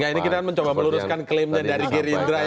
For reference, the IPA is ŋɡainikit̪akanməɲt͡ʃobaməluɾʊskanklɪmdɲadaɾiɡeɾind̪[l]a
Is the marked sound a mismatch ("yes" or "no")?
yes